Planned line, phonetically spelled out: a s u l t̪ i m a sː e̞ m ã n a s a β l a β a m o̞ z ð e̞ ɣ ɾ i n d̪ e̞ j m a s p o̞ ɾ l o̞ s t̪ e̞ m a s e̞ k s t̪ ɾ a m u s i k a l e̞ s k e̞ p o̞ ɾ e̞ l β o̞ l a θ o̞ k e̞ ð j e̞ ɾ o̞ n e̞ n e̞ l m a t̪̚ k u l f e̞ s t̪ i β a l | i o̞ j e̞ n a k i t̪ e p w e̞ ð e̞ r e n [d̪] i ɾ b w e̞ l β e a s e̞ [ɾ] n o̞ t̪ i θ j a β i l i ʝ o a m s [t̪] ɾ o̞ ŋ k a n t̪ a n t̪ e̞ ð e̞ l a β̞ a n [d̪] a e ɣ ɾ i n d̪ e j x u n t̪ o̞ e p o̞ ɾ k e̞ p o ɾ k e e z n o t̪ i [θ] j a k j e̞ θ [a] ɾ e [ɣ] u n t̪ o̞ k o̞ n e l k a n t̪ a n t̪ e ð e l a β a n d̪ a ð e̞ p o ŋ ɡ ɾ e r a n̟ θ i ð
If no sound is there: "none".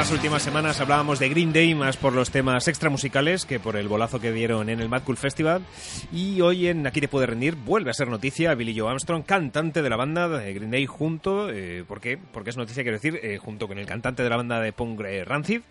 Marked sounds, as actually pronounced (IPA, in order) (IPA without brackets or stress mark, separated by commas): d̪, ɾ, t̪, d̪, θ, i, x